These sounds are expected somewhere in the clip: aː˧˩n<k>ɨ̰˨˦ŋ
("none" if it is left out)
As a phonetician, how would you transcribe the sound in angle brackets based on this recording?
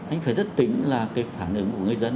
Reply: ʔ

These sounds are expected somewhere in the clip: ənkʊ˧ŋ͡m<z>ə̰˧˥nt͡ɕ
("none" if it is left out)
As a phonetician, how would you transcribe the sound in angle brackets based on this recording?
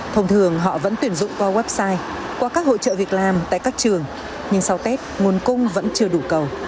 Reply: v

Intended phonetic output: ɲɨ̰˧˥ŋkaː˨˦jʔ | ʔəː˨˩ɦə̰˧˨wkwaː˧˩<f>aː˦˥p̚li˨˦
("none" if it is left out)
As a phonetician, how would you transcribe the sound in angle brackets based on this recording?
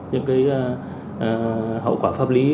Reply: f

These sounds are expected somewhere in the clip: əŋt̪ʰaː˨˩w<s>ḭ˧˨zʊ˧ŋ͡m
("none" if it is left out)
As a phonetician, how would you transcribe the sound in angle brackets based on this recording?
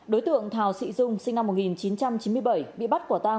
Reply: s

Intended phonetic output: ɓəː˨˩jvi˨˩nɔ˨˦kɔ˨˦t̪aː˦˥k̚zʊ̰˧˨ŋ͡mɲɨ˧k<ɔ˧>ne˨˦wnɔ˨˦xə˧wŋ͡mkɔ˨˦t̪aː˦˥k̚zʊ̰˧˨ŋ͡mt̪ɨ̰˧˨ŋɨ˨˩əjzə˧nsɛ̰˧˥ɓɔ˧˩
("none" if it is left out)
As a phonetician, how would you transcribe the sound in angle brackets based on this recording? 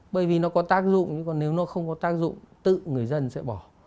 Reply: ɔ˨˩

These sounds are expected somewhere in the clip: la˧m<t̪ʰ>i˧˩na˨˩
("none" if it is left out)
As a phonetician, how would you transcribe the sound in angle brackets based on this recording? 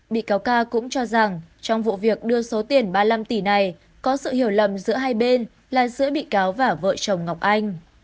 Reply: t̪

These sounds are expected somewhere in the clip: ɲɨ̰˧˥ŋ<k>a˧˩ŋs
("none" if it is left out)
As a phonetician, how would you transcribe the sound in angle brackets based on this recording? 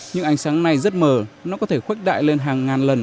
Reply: ʔ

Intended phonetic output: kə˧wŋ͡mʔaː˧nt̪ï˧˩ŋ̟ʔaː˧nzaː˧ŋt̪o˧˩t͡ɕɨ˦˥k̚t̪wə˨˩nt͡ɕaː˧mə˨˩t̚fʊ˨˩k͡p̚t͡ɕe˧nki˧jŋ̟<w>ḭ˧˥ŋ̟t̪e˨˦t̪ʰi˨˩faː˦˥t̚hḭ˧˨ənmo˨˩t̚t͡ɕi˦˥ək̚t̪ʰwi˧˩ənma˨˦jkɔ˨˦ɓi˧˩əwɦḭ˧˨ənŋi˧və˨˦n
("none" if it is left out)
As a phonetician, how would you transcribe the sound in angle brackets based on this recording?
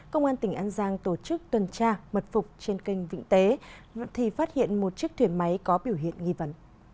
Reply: v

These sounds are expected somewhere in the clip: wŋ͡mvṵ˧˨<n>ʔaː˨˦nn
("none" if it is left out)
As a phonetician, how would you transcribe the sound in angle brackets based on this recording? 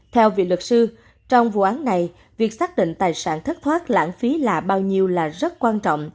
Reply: none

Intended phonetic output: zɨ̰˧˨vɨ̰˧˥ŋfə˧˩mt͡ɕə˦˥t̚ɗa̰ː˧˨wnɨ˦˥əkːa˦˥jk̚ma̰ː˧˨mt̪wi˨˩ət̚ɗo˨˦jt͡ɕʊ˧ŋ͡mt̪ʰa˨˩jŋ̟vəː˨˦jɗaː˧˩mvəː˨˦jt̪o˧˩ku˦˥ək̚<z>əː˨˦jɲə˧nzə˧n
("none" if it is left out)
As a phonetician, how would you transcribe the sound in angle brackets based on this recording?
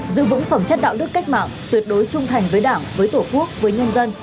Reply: v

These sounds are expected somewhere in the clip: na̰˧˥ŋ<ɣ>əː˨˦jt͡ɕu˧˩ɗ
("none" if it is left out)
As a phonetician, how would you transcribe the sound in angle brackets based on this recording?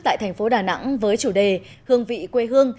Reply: v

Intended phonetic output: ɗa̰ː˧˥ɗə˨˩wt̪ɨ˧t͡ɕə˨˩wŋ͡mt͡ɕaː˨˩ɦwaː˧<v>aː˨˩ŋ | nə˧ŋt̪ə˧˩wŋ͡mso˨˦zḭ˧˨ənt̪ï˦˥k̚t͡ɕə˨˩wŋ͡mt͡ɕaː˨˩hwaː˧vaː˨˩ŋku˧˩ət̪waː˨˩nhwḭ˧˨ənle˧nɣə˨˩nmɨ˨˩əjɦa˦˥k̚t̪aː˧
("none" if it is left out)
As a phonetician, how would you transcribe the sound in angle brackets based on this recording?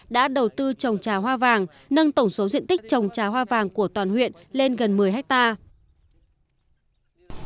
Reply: v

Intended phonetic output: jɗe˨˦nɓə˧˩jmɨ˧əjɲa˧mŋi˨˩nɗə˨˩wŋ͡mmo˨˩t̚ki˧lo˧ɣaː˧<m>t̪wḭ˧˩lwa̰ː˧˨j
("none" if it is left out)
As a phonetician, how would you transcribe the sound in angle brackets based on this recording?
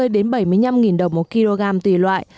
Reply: m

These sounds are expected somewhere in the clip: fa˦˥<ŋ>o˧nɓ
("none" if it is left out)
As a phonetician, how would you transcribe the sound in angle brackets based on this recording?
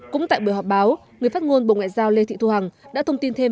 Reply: ŋ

